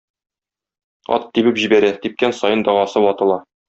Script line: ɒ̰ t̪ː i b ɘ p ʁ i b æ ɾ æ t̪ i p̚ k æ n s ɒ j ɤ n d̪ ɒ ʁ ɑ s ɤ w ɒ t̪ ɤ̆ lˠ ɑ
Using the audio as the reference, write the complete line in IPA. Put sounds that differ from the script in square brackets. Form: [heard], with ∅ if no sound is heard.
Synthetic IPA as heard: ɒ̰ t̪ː i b ɘ p [ʑ] i b æ ɾ æ t̪ i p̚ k æ n s ɒ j ɤ n d̪ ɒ ʁ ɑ s ɤ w ɒ t̪ ɤ̆ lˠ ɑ